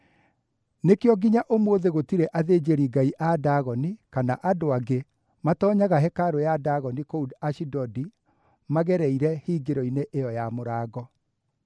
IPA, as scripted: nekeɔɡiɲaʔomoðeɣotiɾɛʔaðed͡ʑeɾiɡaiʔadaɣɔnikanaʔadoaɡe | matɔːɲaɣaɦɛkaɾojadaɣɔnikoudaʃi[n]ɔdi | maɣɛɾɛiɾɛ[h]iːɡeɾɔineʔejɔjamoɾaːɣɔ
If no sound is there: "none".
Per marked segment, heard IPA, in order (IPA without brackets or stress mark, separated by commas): d, h